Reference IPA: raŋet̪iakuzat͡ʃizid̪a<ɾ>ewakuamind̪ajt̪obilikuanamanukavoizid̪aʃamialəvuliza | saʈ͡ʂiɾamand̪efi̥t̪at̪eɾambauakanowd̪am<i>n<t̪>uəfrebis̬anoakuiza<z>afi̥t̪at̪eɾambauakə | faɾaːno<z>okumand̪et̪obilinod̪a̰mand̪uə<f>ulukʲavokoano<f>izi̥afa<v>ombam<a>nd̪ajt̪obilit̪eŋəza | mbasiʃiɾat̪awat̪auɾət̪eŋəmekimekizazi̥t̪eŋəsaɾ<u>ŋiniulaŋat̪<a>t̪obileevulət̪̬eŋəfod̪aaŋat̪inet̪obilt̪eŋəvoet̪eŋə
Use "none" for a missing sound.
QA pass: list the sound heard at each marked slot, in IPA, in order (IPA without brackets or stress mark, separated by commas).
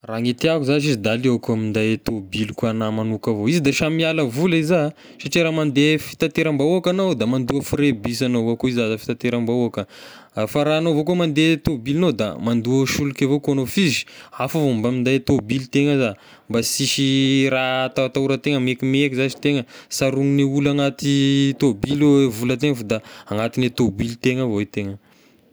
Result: l, a, d̪, z, v, ʃ, f, v, i, u, i